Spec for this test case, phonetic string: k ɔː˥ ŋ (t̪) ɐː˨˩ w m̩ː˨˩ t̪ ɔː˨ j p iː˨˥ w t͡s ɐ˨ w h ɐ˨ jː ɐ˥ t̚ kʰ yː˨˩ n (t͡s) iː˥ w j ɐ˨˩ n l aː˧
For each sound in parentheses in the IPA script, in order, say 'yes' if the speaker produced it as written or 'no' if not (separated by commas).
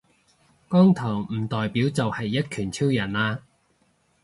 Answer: no, no